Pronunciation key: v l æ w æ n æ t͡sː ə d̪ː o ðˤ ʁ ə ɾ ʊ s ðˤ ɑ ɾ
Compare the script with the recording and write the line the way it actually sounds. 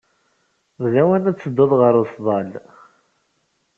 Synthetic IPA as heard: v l æ w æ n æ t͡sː ə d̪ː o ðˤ ʁ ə ɾ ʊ s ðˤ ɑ l

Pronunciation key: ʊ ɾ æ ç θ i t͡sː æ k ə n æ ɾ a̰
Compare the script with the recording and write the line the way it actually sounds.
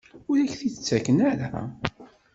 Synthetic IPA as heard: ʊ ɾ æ ç θ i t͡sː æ k ə n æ ɾ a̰

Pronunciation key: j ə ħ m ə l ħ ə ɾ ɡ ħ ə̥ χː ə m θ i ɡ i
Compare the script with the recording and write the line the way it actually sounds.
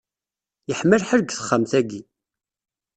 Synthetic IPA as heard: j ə ħ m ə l ħ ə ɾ ɡ θ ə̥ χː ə m θ æ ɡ i

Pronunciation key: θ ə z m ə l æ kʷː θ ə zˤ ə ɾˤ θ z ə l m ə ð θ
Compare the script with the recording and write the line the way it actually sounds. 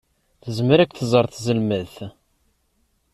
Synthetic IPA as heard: θ ə z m ə ɾ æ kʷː θ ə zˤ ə ɾˤ θ z ə l m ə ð θ

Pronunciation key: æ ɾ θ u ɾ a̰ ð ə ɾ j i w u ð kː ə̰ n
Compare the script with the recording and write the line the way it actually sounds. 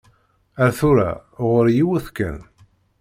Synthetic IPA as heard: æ ɾ θ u ɾ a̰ ʁ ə ɾ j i w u θ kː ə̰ n

